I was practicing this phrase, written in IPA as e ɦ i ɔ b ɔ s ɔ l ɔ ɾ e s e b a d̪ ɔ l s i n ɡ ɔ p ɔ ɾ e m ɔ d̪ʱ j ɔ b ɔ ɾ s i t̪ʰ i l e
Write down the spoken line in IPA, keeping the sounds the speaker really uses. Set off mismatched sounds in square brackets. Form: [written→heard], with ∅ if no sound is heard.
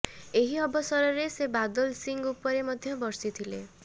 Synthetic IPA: e ɦ i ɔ b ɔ s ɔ [l→ɾ] ɔ ɾ e s e b a d̪ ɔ l s i [n→ŋ] ɡ [ɔ→u] p ɔ ɾ e m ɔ d̪ʱ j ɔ b ɔ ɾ s i t̪ʰ i l e